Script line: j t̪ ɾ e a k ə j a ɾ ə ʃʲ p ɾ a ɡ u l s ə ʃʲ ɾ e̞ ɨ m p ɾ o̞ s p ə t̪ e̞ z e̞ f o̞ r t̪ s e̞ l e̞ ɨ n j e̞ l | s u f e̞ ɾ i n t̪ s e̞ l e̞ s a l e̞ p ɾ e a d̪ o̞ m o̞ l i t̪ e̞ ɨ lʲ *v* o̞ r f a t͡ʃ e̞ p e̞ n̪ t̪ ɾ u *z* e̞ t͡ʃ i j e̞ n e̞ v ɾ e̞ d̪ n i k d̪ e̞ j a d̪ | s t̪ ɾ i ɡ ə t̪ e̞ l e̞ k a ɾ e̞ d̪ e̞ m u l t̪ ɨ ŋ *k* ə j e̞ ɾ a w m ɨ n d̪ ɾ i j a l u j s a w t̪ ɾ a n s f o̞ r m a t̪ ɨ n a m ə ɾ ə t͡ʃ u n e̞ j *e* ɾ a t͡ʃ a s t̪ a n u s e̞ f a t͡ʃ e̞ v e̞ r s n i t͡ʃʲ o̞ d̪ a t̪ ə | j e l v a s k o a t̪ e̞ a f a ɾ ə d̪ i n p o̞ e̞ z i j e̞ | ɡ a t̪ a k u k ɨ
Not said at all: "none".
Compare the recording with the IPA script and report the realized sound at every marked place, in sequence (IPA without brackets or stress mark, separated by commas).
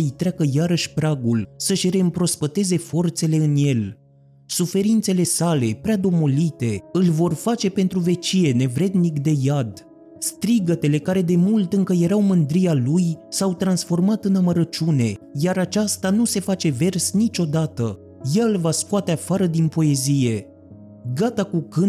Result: v, v, k, a